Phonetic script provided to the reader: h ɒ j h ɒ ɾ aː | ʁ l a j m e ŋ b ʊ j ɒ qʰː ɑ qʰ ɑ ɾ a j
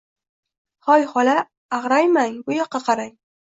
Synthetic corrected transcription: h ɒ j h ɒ l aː | ʁ ɾ a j m a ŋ b ʊ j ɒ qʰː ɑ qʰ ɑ ɾ a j